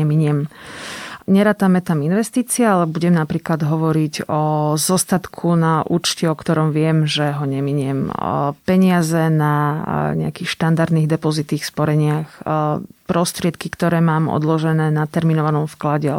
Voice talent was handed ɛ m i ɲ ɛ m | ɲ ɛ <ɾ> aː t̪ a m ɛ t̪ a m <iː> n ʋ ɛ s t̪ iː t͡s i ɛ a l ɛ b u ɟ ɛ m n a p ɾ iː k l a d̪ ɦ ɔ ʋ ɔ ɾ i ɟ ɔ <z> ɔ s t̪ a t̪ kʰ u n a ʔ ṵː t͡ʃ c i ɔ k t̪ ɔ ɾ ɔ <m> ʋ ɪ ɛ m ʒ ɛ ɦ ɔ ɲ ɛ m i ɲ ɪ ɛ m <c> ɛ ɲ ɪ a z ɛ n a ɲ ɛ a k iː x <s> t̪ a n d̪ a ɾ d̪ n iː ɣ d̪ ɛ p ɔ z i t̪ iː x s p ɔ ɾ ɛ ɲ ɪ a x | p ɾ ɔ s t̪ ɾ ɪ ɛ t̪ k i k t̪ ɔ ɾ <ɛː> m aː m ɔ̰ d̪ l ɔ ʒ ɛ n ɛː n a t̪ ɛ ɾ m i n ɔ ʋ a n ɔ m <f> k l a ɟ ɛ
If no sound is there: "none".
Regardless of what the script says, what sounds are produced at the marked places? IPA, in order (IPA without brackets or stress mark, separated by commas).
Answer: ɾ, i, z, m, p, ʃ, ɛː, f